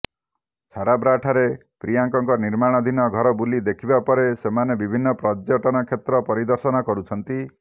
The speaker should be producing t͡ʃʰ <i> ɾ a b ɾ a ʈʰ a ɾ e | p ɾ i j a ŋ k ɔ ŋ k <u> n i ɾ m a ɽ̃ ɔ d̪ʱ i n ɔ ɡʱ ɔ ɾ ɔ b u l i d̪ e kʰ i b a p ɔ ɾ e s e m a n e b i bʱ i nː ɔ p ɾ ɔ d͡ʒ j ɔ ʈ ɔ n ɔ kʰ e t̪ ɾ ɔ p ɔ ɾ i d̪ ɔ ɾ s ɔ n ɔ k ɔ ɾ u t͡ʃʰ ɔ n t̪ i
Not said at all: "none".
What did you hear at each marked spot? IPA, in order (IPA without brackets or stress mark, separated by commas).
a, ɔ